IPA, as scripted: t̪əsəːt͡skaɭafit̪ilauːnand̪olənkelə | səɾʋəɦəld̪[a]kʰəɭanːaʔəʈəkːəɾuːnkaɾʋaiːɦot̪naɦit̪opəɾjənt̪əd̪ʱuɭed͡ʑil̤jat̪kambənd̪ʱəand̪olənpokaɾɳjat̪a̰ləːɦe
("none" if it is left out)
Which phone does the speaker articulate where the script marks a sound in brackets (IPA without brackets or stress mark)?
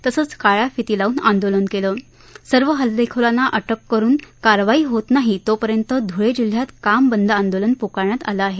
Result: e